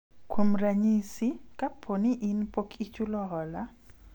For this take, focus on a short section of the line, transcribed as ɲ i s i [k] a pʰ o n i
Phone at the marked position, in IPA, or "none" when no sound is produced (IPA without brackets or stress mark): k